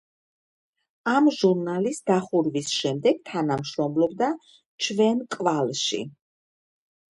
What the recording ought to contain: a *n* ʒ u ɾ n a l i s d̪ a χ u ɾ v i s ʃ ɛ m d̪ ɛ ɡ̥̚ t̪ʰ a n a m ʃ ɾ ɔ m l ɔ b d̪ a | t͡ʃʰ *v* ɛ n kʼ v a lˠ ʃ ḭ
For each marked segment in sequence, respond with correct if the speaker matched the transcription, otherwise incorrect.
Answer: incorrect: m, correct

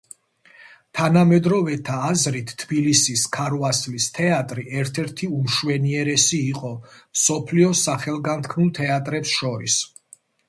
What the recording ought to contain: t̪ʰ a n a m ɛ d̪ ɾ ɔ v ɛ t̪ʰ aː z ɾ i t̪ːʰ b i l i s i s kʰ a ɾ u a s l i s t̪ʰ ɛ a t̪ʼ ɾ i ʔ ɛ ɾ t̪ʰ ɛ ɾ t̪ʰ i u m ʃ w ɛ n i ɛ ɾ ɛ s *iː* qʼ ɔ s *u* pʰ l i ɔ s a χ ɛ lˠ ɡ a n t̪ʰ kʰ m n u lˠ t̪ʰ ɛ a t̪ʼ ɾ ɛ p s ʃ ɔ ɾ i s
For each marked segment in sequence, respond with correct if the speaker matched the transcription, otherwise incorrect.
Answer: correct, incorrect: ɔ

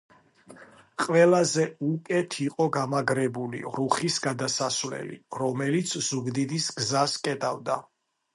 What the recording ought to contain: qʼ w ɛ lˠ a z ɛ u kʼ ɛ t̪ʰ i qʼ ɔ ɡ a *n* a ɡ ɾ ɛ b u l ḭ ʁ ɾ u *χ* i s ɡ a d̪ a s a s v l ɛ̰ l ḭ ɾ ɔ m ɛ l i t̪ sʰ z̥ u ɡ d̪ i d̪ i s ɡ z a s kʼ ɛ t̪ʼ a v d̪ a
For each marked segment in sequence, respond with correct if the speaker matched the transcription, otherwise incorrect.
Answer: incorrect: m, correct

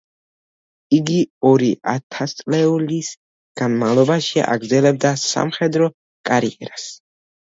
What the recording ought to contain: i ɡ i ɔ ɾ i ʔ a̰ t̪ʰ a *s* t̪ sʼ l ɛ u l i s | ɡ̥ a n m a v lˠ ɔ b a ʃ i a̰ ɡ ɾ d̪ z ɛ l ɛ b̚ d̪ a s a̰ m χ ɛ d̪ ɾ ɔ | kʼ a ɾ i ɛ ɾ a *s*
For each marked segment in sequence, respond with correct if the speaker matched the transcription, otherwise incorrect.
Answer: correct, correct

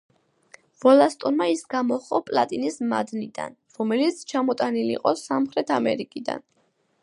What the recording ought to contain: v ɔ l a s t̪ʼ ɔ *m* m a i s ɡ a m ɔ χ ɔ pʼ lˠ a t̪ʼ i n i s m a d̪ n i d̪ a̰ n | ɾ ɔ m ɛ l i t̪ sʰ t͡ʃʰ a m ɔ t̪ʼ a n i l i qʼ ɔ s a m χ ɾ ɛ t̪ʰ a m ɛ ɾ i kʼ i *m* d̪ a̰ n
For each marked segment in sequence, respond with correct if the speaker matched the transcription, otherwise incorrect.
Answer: incorrect: n, incorrect: none

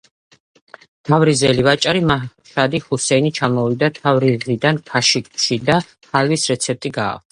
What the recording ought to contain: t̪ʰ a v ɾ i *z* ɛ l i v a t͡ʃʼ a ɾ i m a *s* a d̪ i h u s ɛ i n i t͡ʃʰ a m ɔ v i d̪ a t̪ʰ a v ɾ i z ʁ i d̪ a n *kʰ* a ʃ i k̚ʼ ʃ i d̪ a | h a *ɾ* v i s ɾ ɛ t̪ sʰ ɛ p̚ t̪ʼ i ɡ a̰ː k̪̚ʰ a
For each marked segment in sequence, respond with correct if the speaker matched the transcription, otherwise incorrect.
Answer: correct, incorrect: ʃ, correct, incorrect: l

